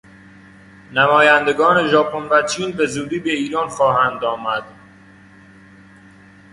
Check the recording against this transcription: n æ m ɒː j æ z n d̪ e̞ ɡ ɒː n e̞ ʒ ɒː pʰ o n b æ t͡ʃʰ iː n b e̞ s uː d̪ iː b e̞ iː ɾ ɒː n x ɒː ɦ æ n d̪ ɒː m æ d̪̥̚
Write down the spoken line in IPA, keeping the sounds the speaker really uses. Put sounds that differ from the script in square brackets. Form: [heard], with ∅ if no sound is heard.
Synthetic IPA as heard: n æ m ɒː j æ [∅] n d̪ e̞ ɡ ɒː n e̞ ʒ ɒː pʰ o n [v] æ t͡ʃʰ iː n b e̞ [z] uː d̪ iː b e̞ iː ɾ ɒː n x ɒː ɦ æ n d̪ ɒː m æ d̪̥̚

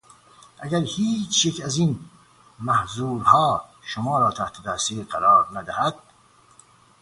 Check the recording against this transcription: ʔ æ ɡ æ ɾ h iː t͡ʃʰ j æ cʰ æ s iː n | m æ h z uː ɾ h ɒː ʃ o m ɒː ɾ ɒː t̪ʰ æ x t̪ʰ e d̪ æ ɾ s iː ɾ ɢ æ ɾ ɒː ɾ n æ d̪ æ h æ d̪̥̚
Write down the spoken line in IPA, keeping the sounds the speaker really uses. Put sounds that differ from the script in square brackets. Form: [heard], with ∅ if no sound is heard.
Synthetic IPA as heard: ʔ æ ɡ æ ɾ h iː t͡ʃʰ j [e] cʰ æ [z] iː n | m æ h z uː ɾ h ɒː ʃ o m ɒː ɾ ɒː t̪ʰ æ [h] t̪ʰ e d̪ æ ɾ s iː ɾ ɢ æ ɾ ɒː ɾ n æ d̪ æ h æ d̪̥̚

